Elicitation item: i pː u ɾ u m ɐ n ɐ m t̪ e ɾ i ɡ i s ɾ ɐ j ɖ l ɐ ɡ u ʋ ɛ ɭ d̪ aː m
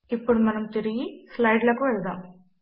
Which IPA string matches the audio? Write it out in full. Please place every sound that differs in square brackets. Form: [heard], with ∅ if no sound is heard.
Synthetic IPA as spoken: i pː u [ɽ] u m ɐ n ɐ m t̪ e ɾ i ɡ i s [l] ɐ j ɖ l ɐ [k] u ʋ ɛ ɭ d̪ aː m